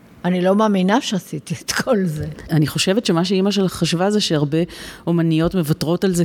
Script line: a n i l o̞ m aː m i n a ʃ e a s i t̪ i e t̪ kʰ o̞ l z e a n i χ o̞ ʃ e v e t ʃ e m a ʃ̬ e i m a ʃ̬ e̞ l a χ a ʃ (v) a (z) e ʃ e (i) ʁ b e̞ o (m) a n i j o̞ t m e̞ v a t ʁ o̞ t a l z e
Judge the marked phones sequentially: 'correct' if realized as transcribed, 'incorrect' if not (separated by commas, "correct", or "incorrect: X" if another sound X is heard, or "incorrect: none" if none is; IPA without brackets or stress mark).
correct, correct, incorrect: a, correct